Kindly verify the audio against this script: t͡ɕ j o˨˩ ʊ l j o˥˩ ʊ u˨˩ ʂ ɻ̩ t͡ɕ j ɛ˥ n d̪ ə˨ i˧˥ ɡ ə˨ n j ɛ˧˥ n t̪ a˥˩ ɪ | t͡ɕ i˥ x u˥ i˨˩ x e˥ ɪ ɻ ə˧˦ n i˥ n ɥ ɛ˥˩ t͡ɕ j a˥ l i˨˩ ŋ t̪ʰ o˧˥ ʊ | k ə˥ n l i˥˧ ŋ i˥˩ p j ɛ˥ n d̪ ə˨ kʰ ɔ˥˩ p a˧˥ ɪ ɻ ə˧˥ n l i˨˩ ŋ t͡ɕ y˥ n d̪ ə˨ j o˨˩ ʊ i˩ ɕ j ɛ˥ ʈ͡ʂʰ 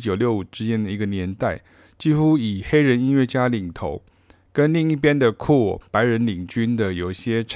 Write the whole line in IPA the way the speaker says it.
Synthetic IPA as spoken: t͡ɕ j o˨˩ ʊ l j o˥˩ ʊ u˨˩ ʈ͡ʂ ɻ̩ t͡ɕ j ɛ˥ n d̪ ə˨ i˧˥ ɡ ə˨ n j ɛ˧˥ n t̪ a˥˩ ɪ | t͡ɕ i˥ x u˥ i˨˩ x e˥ ɪ ɻ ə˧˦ n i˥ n ɥ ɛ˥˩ t͡ɕ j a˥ l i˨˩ ŋ t̪ʰ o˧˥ ʊ | k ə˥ n l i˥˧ ŋ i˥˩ p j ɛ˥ n d̪ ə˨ kʰ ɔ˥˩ p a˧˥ ɪ ɻ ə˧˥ n l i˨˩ ŋ t͡ɕ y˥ n d̪ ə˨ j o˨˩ ʊ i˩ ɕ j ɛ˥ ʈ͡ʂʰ